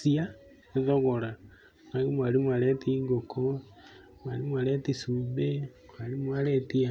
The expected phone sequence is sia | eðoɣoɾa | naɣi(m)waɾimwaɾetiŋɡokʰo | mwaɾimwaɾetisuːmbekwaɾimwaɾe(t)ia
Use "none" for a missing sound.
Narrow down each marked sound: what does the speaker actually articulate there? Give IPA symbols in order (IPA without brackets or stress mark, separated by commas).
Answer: m, t